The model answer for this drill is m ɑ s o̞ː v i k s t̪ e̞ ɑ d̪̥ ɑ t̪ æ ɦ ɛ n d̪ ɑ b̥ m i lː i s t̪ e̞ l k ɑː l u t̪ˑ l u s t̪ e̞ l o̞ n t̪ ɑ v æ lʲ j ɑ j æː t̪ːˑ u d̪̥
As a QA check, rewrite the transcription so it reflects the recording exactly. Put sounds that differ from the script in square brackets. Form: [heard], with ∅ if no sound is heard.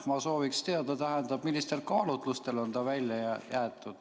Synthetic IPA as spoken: m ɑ s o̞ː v i k s t̪ e̞ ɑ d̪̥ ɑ t̪ æ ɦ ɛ n d̪ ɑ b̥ m i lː i s t̪ e̞ l k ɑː l u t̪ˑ l u s t̪ e̞ l o̞ n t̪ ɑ v æ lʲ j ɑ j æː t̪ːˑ u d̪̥